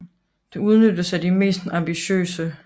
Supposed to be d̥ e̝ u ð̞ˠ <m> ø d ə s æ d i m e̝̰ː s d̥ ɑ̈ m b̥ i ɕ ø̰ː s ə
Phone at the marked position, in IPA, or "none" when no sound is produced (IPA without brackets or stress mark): n